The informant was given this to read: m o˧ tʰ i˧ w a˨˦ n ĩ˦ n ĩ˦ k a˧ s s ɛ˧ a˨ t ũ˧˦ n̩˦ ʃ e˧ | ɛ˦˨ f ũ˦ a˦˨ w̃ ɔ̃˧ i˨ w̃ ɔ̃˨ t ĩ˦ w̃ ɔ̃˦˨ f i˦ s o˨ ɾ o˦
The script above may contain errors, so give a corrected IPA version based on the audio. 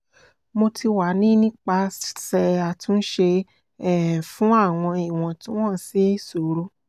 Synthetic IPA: m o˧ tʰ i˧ w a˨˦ n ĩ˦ n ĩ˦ k͡p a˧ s s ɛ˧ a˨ t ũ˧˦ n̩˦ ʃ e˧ | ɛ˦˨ f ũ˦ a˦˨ w̃ ɔ̃˧ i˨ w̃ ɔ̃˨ t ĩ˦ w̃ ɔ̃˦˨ s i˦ s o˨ ɾ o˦